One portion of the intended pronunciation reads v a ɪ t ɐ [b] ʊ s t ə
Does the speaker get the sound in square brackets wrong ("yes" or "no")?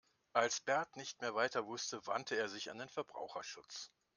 yes